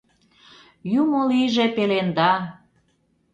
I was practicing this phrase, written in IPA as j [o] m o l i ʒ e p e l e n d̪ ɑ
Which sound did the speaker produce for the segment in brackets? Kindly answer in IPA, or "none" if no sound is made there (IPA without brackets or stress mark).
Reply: u